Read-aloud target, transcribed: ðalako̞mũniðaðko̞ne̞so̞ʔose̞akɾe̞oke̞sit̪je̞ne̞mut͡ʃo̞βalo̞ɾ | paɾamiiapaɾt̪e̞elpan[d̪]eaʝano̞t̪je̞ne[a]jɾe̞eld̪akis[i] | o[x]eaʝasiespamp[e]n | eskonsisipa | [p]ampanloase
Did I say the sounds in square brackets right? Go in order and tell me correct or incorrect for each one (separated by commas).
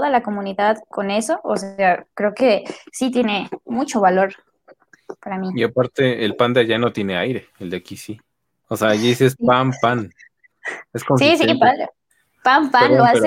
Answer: correct, correct, correct, incorrect, incorrect, correct